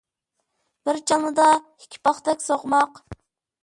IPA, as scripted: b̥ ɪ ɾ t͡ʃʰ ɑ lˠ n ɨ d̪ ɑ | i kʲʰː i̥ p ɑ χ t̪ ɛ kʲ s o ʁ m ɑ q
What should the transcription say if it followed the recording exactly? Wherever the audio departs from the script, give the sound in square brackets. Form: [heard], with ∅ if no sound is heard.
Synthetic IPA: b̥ ɪ ɾ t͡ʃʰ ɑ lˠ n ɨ d̪ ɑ | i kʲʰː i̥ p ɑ χ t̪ ɛ kʲ s o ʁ m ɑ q